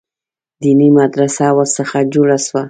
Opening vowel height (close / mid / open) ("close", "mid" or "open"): close